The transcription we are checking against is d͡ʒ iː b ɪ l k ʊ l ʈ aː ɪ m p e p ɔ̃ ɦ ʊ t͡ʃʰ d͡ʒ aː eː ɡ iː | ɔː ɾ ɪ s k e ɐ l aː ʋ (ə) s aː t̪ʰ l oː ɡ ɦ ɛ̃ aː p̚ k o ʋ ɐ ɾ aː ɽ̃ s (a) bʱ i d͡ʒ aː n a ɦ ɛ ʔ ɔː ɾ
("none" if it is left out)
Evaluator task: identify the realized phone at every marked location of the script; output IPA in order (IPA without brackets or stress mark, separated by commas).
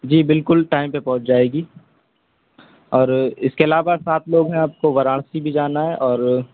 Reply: a, i